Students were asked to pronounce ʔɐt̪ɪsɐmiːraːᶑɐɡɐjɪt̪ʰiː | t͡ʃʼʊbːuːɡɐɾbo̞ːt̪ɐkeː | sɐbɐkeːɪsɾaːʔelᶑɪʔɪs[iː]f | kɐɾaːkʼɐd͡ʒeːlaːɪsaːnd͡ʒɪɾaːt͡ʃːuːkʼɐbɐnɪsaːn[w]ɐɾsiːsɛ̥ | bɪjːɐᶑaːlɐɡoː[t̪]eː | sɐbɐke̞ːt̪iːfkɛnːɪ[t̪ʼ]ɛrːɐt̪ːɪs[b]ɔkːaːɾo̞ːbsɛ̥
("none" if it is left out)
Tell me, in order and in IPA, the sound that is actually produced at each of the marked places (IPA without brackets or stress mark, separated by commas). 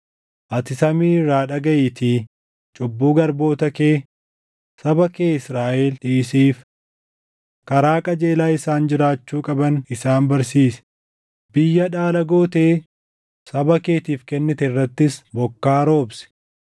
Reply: iː, b, t̪, t̪, b